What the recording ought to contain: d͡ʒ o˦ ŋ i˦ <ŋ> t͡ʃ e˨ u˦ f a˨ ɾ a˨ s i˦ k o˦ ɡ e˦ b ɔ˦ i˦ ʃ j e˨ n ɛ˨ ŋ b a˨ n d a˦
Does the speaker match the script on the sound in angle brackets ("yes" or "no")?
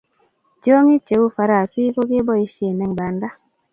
no